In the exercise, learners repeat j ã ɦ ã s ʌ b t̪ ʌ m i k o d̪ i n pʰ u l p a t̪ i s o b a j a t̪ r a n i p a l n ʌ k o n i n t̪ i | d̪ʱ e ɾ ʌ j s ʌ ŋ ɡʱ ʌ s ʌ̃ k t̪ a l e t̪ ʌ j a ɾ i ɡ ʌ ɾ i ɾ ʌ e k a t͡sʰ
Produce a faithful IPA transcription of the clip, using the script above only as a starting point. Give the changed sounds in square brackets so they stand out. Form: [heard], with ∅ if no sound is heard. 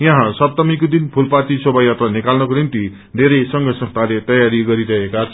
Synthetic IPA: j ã ɦ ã s ʌ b t̪ ʌ m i k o d̪ i n pʰ u l p a t̪ i s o b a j a t̪ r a n i [k] a l n ʌ k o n i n t̪ i | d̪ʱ e ɾ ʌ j s ʌ ŋ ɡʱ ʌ s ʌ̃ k t̪ a l e t̪ ʌ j a ɾ i ɡ ʌ ɾ i ɾ ʌ e k a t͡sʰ